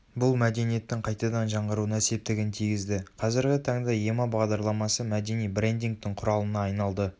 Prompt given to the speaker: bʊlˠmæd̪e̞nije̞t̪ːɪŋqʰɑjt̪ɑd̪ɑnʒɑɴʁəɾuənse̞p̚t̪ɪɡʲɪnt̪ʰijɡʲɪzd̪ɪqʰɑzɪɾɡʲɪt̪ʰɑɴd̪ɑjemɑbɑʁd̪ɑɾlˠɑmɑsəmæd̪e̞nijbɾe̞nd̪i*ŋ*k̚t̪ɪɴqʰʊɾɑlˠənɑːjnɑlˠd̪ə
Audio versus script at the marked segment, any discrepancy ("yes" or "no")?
no